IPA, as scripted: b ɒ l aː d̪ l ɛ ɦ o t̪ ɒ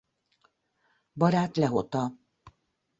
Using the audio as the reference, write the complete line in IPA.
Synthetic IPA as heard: b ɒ ɾ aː t̪ l ɛ ɦ o t̪ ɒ